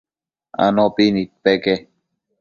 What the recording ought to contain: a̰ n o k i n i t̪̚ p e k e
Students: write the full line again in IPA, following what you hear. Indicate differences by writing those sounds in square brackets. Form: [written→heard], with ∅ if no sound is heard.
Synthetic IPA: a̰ n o [k→p] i n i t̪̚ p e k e